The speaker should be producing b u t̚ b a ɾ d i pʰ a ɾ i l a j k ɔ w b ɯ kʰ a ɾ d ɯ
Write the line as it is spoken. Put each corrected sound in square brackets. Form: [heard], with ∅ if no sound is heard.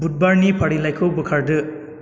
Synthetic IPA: b u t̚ b a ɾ [n] i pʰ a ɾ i l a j [kʰ] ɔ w b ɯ kʰ a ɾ d ɯ